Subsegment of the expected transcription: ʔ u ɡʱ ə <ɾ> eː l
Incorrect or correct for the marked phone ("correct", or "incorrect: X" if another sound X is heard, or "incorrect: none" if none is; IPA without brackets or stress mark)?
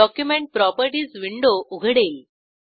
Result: incorrect: ɽ